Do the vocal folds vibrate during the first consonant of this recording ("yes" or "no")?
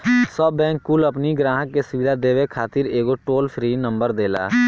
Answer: no